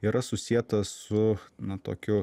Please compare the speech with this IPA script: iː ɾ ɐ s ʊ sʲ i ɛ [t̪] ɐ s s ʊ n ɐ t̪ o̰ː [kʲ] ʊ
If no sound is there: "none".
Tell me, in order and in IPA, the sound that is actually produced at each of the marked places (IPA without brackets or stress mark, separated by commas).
t̪, kʲ